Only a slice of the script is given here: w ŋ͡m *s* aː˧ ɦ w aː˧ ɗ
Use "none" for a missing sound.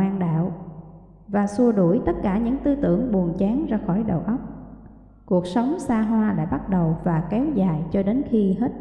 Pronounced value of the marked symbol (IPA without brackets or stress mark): s